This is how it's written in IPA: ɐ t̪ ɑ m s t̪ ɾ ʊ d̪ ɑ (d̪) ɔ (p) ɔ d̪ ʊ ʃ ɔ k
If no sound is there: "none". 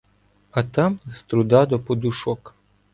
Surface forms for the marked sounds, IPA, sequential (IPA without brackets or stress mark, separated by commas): d̪, p